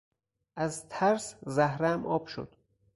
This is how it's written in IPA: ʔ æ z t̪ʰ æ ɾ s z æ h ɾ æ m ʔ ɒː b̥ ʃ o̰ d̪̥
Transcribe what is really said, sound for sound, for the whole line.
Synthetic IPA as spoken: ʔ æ z t̪ʰ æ ɾ s z æ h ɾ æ m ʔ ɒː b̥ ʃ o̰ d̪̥